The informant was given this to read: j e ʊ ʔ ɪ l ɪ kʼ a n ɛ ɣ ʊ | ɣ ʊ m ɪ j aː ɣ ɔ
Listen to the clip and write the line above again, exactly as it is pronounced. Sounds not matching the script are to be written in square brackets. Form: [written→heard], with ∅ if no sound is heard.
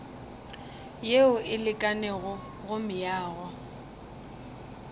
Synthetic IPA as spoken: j e ʊ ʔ ɪ l ɪ kʼ a n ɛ ɣ ʊ | ɣ ʊ m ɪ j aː ɣ ɔ